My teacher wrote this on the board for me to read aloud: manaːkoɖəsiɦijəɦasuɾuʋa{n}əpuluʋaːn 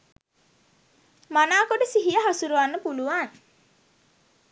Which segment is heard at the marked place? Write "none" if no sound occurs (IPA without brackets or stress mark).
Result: nː